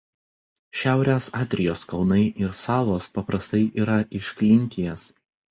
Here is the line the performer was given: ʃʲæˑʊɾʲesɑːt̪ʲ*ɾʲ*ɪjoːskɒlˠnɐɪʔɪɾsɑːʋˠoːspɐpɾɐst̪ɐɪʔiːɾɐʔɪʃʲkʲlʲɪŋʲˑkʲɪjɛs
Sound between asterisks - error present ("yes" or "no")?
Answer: no